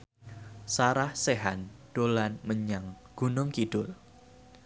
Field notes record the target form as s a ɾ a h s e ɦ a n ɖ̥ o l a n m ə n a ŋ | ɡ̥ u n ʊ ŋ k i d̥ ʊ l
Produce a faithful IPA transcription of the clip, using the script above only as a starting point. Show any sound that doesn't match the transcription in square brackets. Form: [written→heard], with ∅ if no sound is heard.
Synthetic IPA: s a ɾ a h s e ɦ a n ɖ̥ o l a n m ə [n→ɲ] a ŋ | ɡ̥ u n ʊ ŋ k i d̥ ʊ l